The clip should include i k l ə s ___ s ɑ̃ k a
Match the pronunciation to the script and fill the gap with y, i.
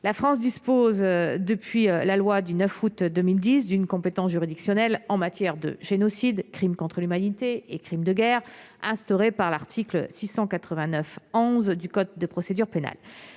i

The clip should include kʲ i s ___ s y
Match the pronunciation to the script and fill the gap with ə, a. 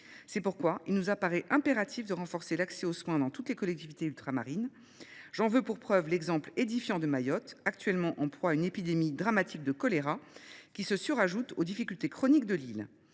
ə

